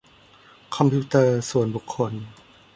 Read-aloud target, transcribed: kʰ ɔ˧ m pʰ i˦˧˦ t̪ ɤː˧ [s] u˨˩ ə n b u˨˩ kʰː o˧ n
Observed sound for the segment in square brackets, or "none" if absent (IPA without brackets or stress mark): s